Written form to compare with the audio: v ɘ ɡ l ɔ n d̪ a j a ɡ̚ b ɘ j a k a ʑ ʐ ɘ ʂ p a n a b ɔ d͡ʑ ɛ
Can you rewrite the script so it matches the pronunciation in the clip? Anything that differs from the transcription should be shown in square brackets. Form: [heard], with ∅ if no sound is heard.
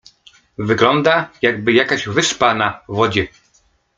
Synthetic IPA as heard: v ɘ ɡ l ɔ n d̪ a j a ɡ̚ b ɘ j a k a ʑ [v] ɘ ʂ p a n a [v] ɔ d͡ʑ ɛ